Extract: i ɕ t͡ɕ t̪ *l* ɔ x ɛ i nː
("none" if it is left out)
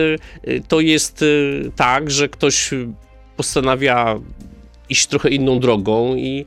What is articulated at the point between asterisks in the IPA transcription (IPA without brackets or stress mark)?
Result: ɾ